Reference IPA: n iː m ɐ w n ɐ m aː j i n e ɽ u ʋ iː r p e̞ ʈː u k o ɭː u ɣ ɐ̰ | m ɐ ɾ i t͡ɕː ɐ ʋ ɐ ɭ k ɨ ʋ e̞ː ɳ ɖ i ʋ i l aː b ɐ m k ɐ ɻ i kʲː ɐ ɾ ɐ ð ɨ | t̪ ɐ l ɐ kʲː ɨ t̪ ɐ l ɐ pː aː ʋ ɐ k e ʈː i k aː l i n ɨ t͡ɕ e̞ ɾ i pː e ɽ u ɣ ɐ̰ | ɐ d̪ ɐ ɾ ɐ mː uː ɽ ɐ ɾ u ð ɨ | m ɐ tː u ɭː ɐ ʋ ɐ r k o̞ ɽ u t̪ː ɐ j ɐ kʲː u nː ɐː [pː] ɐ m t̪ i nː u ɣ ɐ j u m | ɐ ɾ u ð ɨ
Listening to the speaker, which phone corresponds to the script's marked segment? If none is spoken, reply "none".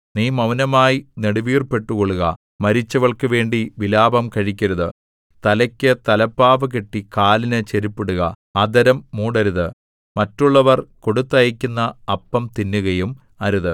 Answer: pː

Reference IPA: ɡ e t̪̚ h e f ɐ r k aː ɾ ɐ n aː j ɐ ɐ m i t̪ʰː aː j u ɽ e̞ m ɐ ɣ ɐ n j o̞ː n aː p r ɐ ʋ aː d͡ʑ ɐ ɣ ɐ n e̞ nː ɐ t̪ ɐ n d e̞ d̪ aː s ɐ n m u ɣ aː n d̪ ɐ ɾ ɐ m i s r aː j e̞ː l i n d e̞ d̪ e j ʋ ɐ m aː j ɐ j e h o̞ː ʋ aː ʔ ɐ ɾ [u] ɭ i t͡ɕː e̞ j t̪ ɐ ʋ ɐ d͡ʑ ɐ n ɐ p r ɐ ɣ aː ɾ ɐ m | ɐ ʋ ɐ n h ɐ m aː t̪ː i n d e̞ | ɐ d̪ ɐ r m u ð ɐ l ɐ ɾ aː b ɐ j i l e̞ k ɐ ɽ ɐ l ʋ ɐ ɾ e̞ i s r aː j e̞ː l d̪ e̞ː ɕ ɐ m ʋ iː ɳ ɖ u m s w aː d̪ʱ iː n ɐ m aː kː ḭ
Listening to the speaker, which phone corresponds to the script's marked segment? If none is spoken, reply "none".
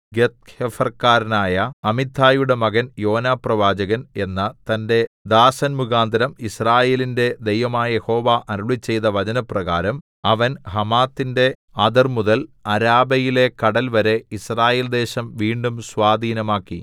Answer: u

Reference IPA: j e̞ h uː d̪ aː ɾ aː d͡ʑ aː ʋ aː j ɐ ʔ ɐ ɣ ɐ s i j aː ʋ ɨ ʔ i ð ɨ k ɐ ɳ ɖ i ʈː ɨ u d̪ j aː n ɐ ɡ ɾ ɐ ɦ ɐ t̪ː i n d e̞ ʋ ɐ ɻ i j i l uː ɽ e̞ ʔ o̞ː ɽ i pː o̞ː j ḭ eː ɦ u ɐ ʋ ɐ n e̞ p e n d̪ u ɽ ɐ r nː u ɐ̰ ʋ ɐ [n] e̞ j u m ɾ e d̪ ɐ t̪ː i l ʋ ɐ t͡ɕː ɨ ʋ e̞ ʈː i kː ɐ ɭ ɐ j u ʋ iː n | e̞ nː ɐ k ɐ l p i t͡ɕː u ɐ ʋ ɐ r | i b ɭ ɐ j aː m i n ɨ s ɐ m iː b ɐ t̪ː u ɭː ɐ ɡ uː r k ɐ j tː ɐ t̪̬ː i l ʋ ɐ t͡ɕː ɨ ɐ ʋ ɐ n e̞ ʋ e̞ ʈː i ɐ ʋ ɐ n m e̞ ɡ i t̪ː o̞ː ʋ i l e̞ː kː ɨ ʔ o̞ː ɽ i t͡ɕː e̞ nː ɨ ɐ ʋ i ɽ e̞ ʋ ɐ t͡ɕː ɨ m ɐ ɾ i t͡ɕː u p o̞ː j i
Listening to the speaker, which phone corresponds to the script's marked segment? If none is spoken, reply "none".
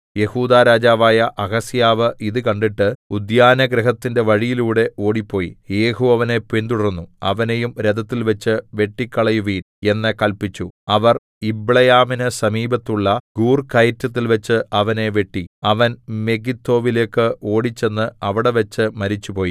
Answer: n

